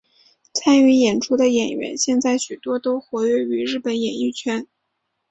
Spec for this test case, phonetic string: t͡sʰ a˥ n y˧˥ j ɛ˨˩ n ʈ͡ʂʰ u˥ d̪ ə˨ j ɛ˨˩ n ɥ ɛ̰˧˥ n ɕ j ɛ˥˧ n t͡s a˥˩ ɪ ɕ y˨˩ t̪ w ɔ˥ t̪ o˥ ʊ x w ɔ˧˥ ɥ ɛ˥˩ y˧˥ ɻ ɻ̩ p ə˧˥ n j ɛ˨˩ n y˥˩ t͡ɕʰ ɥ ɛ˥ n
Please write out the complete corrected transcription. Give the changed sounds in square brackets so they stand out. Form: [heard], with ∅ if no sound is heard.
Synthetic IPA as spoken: t͡sʰ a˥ n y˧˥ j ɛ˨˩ n ʈ͡ʂʰ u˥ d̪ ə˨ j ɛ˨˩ n ɥ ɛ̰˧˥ n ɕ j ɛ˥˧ n t͡s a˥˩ ɪ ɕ y˨˩ t̪ w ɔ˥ t̪ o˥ ʊ x w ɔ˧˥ ɥ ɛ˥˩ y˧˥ ɻ ɻ̩ p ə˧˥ n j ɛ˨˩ n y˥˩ t͡ɕʰ ɥ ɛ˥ n